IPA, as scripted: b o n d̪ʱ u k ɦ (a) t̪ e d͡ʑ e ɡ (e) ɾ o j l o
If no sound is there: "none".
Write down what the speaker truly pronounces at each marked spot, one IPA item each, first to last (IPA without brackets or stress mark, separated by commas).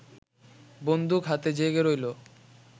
a, e